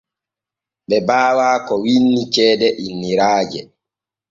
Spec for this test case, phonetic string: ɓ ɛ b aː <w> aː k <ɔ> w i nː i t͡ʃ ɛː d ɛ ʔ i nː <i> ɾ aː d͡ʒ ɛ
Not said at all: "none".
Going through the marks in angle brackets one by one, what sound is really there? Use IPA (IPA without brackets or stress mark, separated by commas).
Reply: w, ɔ, i